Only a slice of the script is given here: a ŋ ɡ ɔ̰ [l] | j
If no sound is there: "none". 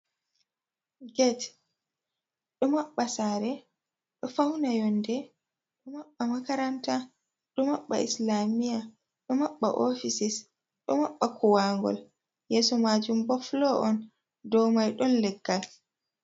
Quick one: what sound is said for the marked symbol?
l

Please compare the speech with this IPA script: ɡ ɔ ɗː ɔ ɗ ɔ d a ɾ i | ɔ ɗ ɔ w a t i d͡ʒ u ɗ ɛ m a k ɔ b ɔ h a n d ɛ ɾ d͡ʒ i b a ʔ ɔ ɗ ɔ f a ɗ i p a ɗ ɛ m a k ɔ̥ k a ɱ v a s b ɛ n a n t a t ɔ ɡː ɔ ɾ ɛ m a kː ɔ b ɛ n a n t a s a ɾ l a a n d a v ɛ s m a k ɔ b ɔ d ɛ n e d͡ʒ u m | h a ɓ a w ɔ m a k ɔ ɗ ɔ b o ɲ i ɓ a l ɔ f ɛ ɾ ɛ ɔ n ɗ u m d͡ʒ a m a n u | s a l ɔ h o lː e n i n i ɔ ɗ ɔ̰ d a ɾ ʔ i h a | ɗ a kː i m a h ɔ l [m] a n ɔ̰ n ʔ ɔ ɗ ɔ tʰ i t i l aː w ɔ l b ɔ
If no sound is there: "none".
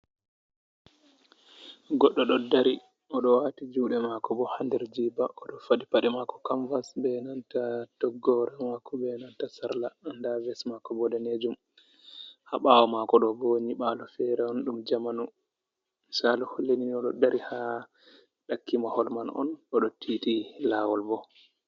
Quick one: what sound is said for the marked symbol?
m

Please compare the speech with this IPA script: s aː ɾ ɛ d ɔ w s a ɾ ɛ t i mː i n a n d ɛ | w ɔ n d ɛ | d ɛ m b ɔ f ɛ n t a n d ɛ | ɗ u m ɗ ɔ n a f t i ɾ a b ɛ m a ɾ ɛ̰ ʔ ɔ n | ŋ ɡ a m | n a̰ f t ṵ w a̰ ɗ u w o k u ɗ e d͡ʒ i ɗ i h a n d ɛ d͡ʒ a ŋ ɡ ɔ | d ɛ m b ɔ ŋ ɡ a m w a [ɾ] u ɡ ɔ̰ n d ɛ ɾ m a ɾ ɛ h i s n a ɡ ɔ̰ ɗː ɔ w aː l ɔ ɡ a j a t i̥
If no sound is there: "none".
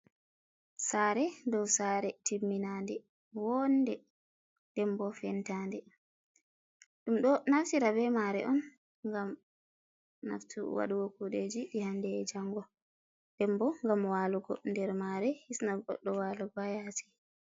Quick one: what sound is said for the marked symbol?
l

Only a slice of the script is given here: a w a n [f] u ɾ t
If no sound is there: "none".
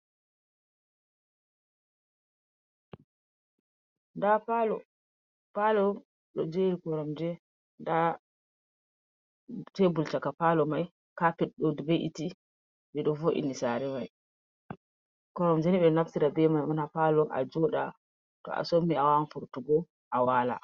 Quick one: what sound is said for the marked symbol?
f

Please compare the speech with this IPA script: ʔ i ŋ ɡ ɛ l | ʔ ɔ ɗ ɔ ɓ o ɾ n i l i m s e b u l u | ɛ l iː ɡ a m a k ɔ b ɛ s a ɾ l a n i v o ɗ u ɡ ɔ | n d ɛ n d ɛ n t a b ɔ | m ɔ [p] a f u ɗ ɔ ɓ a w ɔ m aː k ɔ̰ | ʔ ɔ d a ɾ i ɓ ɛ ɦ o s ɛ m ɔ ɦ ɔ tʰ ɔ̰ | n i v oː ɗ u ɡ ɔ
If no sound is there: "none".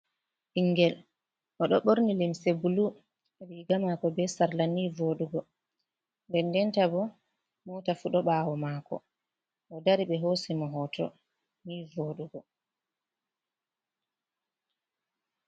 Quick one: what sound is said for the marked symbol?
t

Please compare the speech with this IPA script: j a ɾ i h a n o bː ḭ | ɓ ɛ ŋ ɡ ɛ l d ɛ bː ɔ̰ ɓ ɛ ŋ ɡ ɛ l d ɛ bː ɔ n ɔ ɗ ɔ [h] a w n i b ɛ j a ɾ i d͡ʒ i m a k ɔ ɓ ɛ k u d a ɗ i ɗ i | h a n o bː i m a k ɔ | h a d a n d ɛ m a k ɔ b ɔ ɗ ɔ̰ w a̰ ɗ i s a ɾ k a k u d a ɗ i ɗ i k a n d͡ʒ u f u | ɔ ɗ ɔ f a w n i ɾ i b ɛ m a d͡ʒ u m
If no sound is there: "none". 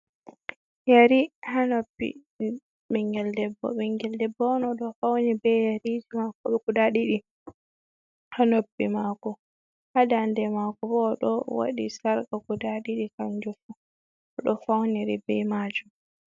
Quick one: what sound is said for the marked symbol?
f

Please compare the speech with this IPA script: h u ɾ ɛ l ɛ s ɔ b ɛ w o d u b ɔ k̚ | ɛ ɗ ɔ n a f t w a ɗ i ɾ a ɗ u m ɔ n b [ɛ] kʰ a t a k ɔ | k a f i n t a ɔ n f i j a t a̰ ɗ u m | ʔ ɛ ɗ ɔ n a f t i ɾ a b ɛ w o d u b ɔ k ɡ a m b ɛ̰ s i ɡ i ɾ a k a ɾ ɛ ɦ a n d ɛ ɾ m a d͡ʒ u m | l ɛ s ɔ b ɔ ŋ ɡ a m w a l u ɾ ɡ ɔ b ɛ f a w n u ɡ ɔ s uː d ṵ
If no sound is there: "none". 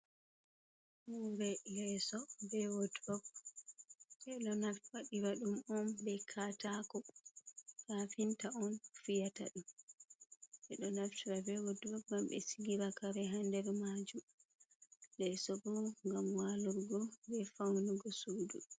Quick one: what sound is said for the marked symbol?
ɛ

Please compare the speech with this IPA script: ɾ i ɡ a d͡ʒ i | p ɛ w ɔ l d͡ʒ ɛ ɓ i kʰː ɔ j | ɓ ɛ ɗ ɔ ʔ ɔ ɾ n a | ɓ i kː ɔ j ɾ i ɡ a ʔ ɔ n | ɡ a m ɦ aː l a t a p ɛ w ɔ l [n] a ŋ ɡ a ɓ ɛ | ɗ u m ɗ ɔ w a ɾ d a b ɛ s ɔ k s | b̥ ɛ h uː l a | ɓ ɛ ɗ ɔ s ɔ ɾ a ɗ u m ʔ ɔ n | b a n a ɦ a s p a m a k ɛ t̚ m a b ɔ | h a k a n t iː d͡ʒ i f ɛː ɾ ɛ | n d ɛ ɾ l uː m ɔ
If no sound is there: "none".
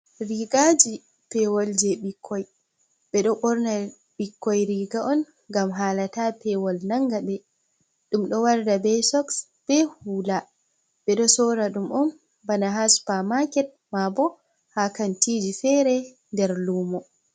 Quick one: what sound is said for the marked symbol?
n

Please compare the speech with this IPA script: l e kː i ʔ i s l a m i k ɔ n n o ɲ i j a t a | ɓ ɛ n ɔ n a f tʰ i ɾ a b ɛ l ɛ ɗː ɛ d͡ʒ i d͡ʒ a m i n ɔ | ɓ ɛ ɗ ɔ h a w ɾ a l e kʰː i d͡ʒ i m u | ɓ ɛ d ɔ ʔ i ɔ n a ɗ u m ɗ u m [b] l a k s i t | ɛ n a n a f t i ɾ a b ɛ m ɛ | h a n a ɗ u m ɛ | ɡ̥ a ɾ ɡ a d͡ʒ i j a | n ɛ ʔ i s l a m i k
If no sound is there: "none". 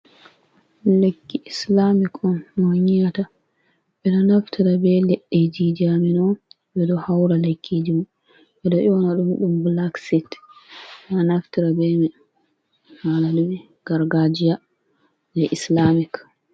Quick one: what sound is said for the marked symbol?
b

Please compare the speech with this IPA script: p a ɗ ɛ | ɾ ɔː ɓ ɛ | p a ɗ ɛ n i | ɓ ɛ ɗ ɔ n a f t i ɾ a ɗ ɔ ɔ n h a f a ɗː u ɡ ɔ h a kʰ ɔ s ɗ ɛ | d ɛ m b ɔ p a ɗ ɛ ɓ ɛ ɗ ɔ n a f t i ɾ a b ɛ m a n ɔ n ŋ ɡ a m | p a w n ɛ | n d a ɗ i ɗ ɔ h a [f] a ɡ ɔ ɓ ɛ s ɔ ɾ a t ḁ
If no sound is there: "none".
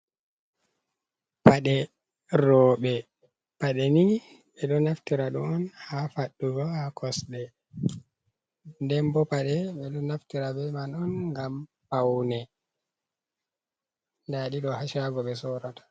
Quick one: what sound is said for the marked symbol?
ʃ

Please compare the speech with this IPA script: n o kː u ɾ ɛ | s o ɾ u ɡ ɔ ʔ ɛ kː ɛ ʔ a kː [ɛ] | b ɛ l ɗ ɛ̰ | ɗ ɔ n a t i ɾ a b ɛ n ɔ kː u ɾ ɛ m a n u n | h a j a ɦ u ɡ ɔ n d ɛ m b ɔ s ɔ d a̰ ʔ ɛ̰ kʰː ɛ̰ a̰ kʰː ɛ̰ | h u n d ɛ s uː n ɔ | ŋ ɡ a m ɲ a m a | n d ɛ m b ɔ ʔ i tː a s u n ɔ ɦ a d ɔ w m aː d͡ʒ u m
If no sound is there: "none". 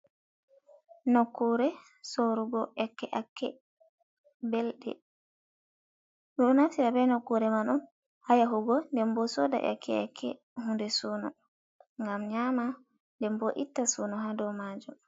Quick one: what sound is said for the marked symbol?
ɛ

